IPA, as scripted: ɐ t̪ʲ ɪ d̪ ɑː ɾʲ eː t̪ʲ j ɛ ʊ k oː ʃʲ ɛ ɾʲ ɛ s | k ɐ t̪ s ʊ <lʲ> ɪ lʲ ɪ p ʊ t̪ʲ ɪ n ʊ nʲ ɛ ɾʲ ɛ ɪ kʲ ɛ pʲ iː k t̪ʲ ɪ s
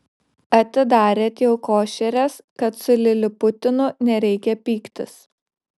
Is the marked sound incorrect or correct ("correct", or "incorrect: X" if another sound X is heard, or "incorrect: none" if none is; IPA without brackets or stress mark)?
correct